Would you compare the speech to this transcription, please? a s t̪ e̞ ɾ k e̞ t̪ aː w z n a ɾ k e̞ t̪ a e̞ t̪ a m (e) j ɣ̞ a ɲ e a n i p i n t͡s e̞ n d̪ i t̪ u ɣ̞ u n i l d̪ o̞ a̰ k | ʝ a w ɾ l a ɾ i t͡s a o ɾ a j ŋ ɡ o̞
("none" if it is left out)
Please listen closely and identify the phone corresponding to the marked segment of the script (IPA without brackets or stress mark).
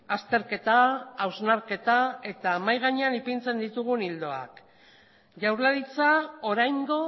a